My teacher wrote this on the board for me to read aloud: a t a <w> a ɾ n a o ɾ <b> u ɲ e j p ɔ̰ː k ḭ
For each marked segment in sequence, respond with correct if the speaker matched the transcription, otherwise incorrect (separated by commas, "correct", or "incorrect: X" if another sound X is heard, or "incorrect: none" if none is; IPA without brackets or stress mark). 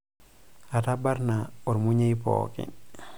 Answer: incorrect: b, incorrect: m